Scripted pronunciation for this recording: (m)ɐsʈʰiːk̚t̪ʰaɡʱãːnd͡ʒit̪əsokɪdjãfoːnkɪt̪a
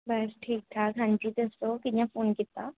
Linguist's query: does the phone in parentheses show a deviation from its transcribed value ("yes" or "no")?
yes